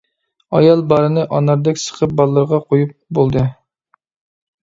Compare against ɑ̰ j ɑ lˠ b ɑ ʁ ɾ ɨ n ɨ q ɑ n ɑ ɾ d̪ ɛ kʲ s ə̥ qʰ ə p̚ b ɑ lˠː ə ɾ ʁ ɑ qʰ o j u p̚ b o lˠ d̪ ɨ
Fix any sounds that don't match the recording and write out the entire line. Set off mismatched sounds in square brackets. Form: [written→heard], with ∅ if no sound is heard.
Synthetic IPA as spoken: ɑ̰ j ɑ lˠ b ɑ [ʁ→∅] ɾ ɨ n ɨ [q→ʔ] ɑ n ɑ ɾ d̪ ɛ kʲ s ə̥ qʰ ə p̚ b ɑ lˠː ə ɾ ʁ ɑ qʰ o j u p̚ b o lˠ d̪ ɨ